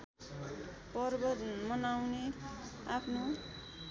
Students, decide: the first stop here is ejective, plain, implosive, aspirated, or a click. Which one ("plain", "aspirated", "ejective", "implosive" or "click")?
plain